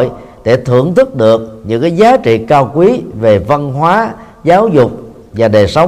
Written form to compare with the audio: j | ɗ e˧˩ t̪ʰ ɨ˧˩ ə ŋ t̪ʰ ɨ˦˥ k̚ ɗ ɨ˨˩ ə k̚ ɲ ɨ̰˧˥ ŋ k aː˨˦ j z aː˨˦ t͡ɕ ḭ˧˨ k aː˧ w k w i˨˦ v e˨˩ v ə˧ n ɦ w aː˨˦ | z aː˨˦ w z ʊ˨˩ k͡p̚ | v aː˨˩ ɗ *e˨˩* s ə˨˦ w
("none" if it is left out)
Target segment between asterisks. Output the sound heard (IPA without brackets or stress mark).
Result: e˨˩